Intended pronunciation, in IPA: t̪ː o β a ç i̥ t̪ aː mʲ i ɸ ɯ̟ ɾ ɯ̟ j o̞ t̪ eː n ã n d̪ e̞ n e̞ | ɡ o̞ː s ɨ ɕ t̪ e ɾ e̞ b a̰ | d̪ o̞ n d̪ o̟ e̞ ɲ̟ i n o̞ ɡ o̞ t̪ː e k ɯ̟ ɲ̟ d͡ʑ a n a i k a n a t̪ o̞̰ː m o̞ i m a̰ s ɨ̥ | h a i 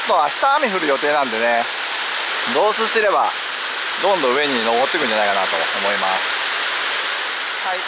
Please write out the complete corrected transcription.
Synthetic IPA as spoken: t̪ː o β a ç i̥ t̪ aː mʲ i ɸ ɯ̟ ɾ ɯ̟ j o̞ t̪ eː n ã n d̪ e̞ n e̞ | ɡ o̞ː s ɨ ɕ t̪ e ɾ e̞ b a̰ | d̪ õ̞ n d̪ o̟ e̞ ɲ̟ i n o̞ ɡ o̞ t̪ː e k ɯ̟ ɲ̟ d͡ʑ a n a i k a n a t̪ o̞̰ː m o̞ i m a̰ s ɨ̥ | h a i